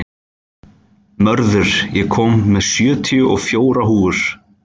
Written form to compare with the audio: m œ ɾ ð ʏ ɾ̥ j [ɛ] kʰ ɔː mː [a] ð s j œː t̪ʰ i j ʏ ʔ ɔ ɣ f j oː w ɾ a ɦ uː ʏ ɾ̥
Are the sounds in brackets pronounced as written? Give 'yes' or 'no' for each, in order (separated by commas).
yes, no